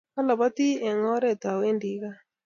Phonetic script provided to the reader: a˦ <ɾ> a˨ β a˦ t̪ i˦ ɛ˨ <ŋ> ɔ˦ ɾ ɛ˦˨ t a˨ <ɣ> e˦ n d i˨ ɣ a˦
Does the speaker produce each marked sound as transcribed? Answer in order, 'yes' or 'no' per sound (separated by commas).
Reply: no, yes, no